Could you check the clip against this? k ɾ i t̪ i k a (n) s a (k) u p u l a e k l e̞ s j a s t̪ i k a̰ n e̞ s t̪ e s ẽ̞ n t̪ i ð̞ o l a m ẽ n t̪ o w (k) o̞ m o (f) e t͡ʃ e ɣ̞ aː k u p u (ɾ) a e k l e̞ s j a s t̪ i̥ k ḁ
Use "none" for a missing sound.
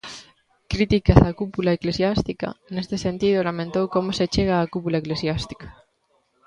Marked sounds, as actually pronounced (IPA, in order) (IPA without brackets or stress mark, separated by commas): none, k, k, s, l